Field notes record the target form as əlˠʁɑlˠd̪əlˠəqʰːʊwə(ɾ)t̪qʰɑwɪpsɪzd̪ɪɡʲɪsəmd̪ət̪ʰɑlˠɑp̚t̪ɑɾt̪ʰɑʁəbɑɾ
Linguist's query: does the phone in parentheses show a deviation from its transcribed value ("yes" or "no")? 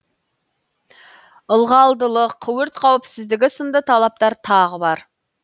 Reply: no